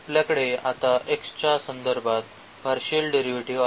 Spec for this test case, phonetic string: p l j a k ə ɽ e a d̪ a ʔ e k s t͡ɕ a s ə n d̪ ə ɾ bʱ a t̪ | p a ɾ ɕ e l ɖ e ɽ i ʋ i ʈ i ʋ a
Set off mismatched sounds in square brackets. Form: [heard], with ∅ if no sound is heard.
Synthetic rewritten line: p l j a k ə ɽ e a [t̪] a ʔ e k s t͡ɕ a s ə n d̪ ə ɾ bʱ a t̪ | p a ɾ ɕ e l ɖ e [ɾ] i ʋ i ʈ i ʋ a